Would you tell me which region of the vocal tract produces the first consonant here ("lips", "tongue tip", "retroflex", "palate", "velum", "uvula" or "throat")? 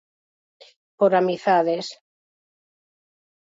lips